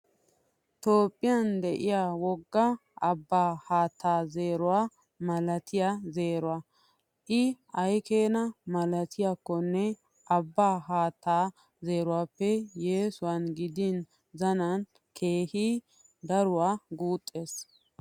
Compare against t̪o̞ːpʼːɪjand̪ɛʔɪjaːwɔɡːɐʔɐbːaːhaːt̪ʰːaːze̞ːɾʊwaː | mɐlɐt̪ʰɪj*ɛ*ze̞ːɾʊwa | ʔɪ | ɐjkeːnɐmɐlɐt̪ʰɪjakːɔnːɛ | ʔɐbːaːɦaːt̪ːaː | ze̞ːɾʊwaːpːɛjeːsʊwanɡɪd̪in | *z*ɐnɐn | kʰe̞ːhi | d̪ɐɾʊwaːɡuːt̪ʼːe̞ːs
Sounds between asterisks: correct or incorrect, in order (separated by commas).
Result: incorrect, correct